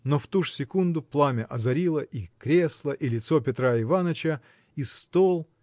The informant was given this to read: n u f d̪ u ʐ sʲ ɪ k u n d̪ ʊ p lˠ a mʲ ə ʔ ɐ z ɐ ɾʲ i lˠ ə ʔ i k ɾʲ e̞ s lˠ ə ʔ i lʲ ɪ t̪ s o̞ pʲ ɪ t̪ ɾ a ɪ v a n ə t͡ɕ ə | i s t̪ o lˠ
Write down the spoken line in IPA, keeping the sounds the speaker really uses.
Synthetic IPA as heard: n o f t̪ u ʐ sʲ ɪ k u n d̪ ʊ p lˠ a mʲ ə ʔ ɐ z ɐ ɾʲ i lˠ ə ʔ i k ɾʲ e̞ s lˠ ə ʔ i lʲ ɪ t̪ s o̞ pʲ ɪ t̪ ɾ a ɪ v a n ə t͡ɕ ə | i s t̪ o lˠ